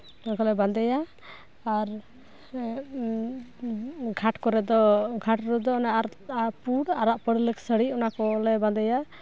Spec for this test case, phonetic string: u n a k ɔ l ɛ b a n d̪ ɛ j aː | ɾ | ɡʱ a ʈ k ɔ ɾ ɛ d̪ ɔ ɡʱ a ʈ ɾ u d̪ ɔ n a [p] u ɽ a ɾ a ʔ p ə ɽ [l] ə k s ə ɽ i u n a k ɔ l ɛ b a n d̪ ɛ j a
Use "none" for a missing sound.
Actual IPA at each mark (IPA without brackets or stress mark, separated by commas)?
p, l